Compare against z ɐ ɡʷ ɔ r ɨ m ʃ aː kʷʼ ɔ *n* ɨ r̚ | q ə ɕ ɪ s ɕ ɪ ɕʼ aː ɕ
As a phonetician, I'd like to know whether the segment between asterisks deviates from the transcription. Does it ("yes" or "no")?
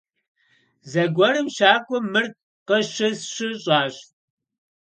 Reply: yes